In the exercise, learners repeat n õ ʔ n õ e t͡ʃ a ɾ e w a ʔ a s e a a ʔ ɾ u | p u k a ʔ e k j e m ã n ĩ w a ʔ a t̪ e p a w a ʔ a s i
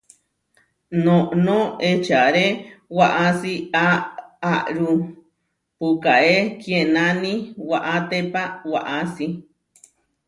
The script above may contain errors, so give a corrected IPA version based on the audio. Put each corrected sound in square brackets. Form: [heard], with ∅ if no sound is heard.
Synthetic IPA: n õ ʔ n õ e t͡ʃ a ɾ e w a ʔ a s [i] a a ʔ ɾ u | p u k a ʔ e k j e [n] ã n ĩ w a ʔ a t̪ e p a w a ʔ a s i